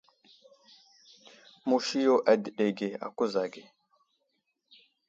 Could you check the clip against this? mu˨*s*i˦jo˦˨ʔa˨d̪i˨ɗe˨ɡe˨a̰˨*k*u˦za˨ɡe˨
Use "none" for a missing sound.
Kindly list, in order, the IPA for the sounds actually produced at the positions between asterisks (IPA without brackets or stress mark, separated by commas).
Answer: ʃ, k